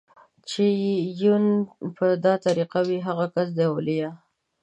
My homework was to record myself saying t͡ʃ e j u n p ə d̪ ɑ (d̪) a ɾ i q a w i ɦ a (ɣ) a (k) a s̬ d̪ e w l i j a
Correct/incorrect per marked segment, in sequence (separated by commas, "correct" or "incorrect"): incorrect, correct, correct